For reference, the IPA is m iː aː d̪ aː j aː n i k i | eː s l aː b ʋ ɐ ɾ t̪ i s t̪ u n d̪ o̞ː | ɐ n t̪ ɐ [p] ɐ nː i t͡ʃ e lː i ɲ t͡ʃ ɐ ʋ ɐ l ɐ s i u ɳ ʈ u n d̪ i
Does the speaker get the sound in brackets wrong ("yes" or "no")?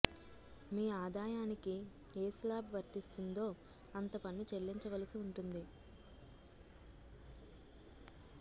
no